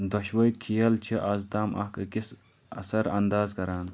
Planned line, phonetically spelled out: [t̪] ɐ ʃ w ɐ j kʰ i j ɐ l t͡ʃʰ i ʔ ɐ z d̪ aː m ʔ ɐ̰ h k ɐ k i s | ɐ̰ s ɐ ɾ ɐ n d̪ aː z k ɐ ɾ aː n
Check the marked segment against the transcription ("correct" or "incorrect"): incorrect